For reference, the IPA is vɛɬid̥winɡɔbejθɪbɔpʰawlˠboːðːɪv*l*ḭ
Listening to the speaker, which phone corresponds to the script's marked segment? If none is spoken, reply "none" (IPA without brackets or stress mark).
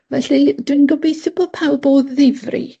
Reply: r